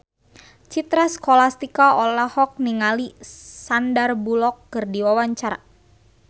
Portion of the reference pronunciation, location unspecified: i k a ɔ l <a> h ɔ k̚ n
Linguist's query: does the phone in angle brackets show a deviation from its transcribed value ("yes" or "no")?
no